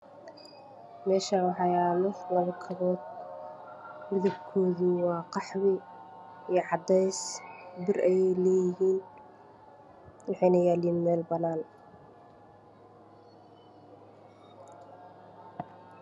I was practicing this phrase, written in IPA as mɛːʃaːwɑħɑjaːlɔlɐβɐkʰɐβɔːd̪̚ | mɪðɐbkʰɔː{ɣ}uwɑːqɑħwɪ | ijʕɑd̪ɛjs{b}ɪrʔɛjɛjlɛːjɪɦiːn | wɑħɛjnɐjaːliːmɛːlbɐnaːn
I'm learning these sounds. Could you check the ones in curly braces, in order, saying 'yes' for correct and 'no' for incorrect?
no, yes

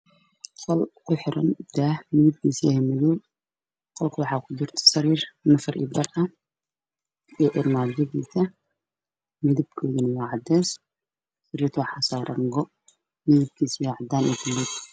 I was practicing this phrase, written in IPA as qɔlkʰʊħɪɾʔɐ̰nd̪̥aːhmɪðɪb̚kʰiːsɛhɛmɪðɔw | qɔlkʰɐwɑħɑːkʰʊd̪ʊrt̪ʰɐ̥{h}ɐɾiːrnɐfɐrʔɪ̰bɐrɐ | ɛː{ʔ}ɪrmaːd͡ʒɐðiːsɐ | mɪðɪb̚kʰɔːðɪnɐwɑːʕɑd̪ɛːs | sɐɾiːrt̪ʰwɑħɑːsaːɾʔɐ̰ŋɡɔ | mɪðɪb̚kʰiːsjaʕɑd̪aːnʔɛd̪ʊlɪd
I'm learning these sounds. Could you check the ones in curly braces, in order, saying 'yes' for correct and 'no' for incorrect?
no, yes

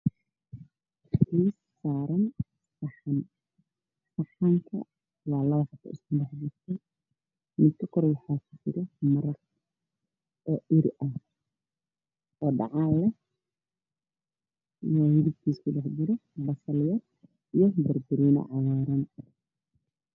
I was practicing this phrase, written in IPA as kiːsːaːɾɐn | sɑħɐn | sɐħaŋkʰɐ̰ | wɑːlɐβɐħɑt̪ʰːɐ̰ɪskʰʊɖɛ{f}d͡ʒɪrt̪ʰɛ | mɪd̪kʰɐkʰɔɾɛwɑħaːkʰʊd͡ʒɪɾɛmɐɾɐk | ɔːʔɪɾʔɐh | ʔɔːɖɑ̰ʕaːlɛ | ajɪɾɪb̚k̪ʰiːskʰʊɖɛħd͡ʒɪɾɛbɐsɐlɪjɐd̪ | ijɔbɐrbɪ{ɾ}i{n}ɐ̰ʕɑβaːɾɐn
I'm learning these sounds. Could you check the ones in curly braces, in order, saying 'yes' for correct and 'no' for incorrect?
no, yes, yes

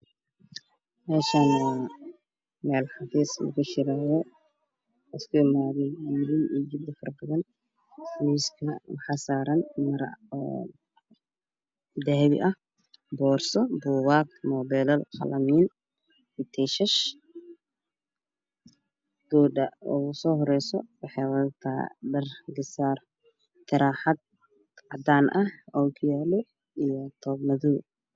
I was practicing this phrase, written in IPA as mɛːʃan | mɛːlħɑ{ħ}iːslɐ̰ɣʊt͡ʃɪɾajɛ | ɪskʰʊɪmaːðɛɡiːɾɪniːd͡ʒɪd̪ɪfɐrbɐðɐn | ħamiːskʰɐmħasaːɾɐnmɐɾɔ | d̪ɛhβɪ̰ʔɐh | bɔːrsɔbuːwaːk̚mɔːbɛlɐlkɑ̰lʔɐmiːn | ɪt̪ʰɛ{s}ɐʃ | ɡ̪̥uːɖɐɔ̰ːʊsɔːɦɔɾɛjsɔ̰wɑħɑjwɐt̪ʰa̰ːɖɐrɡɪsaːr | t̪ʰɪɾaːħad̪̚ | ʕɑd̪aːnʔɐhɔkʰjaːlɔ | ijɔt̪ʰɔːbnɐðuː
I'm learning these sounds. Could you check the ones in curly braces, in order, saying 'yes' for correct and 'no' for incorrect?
no, no

